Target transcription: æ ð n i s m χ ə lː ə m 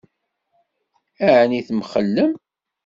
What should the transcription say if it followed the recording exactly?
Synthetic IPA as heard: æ ʕ n i θ m χ ə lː ə m